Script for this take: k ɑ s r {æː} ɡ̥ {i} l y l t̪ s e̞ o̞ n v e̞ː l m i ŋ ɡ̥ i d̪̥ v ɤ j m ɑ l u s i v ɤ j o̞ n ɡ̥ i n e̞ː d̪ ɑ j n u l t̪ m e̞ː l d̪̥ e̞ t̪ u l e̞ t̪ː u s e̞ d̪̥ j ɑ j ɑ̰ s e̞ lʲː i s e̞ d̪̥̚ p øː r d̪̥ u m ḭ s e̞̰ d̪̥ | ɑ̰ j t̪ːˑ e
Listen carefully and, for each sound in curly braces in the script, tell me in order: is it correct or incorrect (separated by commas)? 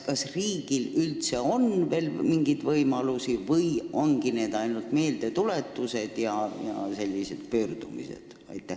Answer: incorrect, correct